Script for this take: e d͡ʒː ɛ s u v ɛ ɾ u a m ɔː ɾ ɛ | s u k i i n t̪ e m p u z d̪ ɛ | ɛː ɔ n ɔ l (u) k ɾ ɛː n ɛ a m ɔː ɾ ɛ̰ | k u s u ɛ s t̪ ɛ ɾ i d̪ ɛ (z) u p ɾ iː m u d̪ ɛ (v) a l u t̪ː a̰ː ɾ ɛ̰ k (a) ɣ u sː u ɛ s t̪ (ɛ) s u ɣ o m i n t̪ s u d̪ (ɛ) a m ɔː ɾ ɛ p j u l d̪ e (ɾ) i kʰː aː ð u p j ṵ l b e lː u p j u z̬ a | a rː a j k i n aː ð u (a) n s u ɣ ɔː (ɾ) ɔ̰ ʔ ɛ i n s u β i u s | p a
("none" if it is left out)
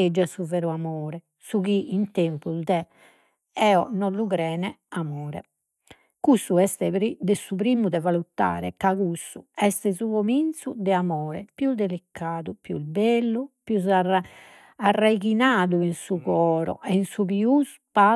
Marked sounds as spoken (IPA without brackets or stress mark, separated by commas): u, s, v, a, ɛ, ɛ, l, i, ɾ